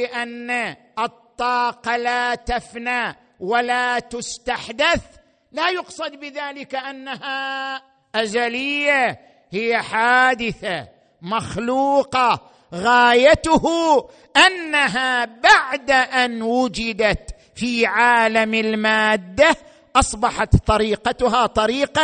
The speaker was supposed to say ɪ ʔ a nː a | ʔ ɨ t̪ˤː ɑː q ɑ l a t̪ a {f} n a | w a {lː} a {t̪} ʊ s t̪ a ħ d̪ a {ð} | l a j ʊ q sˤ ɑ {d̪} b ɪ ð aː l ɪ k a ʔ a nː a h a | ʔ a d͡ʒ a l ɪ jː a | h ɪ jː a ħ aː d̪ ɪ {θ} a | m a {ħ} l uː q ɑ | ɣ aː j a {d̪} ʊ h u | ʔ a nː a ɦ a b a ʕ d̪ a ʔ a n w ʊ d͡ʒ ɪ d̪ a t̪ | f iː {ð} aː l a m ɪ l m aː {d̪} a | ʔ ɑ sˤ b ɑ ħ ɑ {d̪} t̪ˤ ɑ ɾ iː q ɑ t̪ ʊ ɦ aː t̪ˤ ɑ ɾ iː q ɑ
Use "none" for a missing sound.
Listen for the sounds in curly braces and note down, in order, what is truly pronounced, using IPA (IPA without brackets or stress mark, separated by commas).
f, l, t̪, θ, d̪, θ, x, t̪, ʕ, d̪ː, t̪